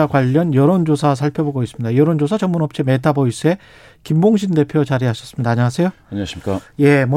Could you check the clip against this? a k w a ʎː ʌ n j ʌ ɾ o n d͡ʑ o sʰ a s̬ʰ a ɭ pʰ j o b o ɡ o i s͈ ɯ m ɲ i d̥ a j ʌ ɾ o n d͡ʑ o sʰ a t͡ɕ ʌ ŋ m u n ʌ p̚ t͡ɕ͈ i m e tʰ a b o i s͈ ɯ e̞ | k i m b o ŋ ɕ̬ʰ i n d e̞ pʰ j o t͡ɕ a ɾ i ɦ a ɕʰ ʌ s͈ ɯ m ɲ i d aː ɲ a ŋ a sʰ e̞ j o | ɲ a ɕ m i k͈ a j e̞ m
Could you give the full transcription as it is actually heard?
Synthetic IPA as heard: a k w a ʎː ʌ n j ʌ ɾ o n d͡ʑ o sʰ a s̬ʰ a ɭ pʰ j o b o ɡ o i s͈ ɯ m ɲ i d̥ a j ʌ ɾ o n d͡ʑ o sʰ a t͡ɕ ʌ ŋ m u n ʌ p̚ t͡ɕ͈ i m e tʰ a b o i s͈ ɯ e̞ | k i m b o ŋ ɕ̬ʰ i n d e̞ pʰ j o t͡ɕ a ɾ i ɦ a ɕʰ ʌ s͈ ɯ m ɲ i d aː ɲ a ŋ a sʰ e̞ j o | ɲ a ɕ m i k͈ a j e̞ m